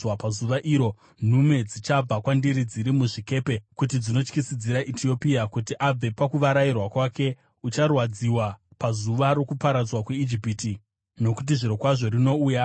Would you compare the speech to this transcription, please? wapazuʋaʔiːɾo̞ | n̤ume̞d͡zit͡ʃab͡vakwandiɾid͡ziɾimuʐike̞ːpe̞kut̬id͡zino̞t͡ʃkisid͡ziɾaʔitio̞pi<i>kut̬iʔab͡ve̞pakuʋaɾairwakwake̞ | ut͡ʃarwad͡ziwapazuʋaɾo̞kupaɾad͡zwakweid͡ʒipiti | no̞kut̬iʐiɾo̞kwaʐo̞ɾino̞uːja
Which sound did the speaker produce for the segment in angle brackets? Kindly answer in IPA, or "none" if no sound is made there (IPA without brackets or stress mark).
a